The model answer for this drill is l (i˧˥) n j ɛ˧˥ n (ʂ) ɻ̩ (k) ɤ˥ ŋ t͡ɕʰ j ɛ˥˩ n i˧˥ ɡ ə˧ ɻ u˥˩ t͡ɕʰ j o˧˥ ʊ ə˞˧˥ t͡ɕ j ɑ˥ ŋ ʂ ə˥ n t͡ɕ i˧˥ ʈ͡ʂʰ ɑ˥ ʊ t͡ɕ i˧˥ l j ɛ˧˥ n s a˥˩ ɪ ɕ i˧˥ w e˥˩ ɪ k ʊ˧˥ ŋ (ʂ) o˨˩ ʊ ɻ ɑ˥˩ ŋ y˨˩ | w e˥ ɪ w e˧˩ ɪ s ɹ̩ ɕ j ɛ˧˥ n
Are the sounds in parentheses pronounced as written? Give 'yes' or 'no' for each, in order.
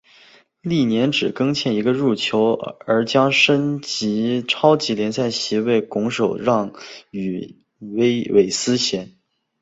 no, no, yes, yes

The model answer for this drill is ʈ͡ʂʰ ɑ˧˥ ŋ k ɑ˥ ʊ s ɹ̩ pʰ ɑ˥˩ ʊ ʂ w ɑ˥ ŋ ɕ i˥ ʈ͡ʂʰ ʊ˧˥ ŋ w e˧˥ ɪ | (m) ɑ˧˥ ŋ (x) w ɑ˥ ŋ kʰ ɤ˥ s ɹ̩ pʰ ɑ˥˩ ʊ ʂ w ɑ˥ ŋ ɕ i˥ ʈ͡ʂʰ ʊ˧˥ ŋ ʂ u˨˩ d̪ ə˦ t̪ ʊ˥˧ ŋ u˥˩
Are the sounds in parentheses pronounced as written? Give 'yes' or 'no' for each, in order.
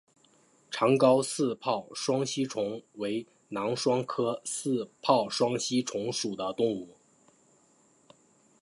no, no

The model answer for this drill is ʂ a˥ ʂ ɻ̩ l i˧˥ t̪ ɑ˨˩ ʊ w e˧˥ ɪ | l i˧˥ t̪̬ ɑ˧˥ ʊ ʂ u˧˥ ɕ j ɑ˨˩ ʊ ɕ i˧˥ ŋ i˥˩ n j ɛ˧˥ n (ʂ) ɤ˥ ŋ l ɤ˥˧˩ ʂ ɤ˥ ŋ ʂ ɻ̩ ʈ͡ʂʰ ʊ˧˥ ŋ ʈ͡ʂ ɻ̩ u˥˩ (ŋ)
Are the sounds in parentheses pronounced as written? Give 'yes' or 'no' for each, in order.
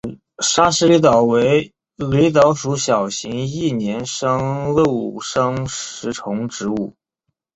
yes, no

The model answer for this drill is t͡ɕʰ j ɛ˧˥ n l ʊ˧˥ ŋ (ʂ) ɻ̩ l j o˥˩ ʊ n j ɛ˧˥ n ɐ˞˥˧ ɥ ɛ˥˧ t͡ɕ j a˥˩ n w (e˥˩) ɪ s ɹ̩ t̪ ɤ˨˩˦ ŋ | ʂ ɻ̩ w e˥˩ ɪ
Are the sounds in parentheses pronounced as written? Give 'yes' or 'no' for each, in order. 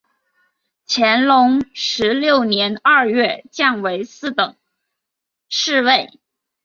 yes, no

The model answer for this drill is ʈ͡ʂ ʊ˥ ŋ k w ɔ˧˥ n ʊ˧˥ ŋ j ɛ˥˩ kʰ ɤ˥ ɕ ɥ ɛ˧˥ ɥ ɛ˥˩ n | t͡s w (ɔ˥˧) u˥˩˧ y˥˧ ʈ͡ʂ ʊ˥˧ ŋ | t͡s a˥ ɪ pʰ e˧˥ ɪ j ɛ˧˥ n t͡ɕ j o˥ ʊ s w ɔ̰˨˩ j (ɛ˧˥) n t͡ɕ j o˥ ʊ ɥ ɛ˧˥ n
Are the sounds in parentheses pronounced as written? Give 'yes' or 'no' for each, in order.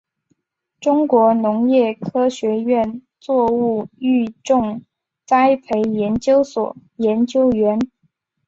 yes, yes

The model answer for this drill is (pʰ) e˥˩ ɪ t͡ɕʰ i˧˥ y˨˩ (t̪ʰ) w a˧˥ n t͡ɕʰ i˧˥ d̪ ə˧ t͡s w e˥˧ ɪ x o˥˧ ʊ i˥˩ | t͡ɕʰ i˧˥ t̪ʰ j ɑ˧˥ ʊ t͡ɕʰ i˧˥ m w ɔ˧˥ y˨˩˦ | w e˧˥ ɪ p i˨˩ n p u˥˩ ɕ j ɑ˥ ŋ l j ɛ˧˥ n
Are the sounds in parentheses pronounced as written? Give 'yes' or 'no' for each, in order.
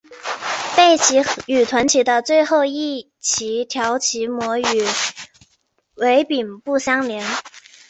no, yes

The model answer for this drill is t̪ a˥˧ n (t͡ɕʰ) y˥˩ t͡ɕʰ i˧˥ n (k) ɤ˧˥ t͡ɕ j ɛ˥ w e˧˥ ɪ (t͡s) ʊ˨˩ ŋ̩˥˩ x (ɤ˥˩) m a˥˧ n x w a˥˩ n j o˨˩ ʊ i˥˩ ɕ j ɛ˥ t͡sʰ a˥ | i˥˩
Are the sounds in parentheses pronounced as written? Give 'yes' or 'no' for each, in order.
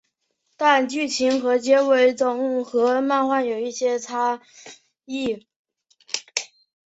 no, no, yes, no

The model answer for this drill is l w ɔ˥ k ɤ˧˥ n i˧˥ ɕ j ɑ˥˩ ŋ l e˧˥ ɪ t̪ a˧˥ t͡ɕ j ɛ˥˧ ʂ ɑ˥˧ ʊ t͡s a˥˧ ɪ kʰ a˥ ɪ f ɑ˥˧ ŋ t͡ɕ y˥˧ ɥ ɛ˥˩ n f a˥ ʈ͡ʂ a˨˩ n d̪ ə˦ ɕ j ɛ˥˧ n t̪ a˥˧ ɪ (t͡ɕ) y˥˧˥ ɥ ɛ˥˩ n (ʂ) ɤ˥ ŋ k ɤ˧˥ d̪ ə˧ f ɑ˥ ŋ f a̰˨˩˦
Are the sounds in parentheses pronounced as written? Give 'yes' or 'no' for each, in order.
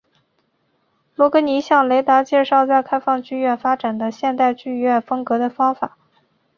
yes, no

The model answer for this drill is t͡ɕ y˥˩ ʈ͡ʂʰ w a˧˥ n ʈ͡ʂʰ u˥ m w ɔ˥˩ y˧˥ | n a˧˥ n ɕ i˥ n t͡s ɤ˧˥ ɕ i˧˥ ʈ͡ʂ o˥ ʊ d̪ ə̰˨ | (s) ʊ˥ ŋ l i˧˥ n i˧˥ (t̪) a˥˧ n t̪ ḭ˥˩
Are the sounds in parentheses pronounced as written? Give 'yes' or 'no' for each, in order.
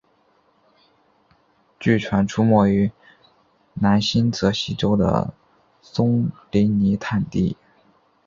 yes, no

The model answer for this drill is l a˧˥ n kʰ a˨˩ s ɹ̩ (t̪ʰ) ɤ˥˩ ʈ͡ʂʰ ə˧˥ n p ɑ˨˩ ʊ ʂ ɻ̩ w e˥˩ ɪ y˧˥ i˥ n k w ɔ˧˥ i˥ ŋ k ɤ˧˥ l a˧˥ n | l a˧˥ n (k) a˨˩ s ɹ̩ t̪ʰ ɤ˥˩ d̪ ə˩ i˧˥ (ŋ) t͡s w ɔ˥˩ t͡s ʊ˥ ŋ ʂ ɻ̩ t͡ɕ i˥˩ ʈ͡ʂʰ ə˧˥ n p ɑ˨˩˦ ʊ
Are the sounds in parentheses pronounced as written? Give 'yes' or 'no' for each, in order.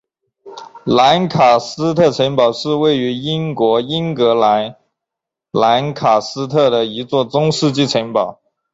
yes, no, no

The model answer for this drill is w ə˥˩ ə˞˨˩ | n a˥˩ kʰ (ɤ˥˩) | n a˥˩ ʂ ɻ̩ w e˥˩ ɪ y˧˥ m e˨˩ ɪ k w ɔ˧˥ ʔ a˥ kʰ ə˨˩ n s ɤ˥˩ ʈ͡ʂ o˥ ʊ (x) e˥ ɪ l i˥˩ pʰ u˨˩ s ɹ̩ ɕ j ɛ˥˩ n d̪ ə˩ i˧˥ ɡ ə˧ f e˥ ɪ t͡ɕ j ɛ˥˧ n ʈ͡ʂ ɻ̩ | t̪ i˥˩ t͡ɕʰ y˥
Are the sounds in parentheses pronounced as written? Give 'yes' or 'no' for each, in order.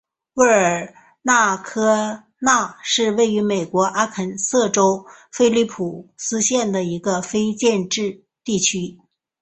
no, no

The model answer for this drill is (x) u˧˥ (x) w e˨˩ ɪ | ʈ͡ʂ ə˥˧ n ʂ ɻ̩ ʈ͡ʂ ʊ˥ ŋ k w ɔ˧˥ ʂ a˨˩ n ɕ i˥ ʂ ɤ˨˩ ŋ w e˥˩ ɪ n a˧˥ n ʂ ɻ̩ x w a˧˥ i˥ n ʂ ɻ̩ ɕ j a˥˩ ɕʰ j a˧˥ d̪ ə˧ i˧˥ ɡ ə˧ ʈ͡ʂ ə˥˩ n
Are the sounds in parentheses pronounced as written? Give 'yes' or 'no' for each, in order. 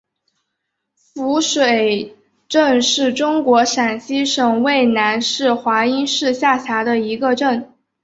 no, no

